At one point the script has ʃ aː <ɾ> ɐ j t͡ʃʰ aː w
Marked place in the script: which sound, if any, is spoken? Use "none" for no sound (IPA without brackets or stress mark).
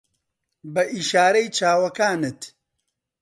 ɾ